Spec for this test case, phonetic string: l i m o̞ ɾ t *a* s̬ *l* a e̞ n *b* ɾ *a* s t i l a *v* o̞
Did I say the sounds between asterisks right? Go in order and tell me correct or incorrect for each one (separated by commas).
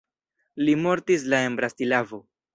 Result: incorrect, correct, correct, correct, correct